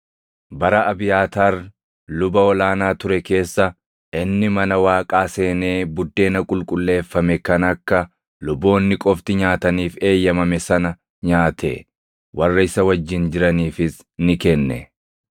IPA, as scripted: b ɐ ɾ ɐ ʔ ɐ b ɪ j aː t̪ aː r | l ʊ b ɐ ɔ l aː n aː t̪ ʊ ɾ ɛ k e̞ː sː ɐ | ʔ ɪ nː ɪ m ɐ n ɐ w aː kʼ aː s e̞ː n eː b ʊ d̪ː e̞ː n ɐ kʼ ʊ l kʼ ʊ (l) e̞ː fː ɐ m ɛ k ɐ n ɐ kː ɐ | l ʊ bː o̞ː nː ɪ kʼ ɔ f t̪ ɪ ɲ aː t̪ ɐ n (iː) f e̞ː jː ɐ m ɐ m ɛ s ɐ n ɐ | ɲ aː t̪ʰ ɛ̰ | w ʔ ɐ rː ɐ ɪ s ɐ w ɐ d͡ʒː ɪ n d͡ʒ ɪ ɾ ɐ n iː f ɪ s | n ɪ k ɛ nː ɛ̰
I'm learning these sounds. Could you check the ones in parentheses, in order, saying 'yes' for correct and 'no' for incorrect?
no, yes

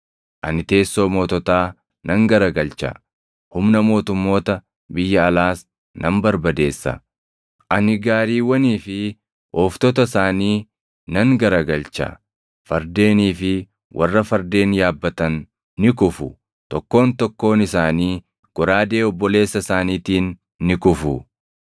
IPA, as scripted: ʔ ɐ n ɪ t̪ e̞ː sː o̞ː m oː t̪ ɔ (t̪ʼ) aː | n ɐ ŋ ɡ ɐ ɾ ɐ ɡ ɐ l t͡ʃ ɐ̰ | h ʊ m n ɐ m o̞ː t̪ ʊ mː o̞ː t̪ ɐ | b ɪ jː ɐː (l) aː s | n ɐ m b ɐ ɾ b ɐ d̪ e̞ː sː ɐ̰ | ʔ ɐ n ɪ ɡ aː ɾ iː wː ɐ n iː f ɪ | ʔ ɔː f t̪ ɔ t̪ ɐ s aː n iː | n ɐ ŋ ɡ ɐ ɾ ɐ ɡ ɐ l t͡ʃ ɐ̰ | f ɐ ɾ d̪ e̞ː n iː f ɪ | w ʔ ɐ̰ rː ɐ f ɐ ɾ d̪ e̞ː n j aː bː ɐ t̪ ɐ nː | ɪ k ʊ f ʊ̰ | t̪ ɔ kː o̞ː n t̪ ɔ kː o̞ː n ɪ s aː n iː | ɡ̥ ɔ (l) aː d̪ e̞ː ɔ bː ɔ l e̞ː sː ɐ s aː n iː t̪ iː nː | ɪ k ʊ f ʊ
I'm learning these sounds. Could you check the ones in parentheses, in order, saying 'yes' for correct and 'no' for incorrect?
no, yes, no

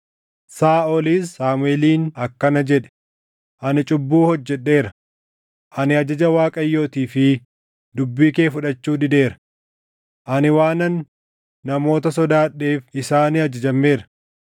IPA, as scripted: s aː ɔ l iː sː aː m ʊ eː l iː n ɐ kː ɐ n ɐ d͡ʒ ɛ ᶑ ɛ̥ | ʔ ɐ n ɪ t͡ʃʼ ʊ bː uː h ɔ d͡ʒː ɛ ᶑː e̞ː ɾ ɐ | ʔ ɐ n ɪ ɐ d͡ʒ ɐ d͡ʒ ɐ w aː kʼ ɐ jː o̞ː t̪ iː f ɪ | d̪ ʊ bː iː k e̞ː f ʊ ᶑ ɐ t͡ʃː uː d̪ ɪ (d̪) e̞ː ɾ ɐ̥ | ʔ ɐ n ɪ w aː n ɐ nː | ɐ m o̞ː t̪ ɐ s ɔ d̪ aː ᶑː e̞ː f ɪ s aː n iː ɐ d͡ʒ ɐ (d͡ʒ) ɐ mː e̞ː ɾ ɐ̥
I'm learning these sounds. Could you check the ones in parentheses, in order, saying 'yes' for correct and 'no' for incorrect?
yes, yes

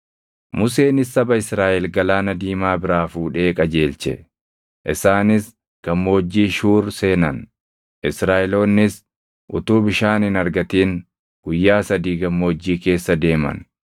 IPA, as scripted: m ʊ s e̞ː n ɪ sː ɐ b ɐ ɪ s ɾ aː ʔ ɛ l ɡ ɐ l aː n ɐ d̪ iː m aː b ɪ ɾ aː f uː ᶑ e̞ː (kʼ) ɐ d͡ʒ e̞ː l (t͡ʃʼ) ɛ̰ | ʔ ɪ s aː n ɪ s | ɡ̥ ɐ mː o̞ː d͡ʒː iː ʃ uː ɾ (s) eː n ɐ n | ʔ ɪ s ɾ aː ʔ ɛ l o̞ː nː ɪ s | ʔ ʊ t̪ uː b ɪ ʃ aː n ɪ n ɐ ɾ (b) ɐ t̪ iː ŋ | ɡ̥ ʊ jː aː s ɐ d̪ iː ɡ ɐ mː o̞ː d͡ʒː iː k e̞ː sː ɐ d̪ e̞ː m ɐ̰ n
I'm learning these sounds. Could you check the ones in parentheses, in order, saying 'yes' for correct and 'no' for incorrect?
yes, no, yes, no

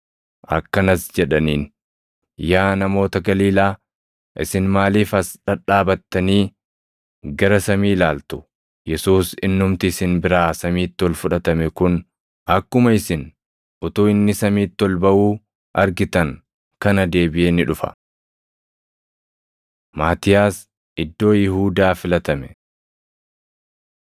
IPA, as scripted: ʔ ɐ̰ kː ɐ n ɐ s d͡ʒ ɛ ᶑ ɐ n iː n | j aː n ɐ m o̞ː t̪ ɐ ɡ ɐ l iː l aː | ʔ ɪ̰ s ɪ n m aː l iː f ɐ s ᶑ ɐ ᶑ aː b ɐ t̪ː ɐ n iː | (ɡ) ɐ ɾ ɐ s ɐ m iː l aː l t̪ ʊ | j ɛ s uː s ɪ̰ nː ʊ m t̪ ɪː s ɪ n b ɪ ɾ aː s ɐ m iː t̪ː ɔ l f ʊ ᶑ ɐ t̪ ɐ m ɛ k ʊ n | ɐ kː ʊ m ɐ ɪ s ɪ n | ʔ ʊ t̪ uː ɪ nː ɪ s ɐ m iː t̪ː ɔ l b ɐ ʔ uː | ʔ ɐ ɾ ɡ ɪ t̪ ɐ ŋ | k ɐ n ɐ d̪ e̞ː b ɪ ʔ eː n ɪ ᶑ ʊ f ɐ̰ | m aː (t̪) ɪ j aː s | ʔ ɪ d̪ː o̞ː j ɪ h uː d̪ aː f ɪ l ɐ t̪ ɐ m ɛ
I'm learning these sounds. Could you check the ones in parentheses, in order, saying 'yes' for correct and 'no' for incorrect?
yes, yes

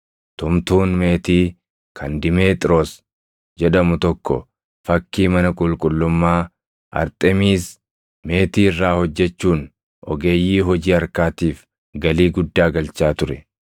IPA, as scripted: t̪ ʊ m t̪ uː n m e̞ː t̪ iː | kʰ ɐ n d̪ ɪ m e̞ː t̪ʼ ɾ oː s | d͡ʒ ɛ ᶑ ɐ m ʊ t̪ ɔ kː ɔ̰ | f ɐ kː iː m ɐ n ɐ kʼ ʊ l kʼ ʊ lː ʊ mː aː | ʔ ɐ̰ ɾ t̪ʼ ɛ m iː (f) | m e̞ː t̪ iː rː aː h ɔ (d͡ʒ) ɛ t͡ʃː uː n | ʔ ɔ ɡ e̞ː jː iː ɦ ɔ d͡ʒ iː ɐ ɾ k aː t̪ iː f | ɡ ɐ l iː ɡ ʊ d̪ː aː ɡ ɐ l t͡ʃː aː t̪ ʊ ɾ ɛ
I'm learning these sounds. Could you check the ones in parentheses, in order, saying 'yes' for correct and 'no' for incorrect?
no, no

